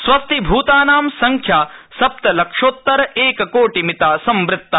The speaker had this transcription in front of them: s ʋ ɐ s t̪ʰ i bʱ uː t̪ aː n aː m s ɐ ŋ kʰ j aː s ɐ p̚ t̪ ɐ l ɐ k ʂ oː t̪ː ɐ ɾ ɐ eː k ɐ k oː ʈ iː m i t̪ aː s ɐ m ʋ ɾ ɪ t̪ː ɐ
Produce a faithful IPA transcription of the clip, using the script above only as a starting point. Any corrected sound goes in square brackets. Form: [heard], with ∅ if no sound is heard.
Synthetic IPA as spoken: s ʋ ɐ s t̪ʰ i bʱ uː t̪ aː n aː m s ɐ ŋ kʰ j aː s ɐ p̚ t̪ ɐ l ɐ k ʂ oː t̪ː ɐ ɾ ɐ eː k ɐ k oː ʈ [i] m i t̪ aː s ɐ m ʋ ɾ ɪ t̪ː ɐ